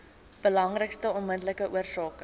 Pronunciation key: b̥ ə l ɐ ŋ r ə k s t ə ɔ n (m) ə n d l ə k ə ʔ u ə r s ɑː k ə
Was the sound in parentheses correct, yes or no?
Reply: yes